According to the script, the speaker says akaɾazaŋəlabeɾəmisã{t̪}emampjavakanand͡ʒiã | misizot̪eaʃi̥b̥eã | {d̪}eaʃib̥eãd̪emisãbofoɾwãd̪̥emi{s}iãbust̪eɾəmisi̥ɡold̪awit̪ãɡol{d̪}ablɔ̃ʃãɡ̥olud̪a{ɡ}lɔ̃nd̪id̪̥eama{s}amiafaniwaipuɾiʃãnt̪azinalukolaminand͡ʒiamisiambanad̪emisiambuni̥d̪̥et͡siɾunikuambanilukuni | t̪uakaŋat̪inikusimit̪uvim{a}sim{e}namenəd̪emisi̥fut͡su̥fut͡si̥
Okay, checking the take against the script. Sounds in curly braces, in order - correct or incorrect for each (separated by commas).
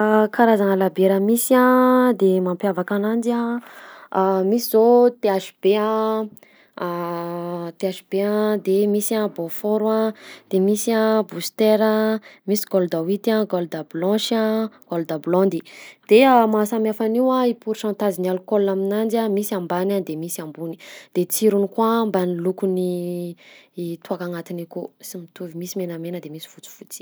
incorrect, incorrect, correct, correct, incorrect, correct, incorrect, correct